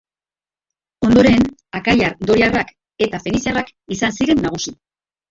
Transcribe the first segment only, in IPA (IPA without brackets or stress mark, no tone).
o̞